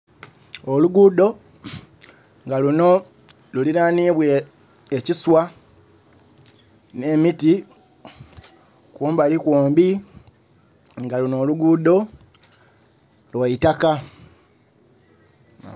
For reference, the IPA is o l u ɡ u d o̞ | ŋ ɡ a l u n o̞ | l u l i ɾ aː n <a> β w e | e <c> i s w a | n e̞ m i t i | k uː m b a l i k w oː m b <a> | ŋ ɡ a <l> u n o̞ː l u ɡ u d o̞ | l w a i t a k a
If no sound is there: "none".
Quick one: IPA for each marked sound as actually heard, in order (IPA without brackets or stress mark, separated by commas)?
i, c, i, l